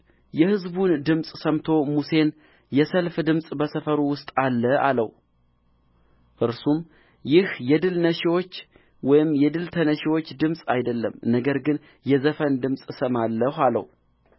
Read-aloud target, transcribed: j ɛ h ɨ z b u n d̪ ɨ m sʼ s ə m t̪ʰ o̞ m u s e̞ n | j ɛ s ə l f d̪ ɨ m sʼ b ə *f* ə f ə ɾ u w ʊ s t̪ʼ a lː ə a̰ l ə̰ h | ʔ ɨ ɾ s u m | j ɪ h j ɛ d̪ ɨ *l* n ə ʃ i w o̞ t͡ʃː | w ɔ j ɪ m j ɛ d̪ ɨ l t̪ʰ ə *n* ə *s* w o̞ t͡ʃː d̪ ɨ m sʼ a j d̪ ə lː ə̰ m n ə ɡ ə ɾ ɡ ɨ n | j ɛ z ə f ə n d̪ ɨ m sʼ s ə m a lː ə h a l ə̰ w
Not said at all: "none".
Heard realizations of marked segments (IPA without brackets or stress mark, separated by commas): s, l, n, ʃ